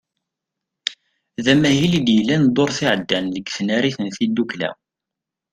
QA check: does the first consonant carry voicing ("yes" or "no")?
yes